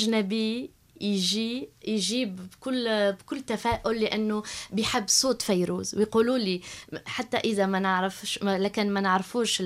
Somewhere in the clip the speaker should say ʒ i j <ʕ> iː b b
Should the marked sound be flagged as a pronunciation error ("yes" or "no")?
yes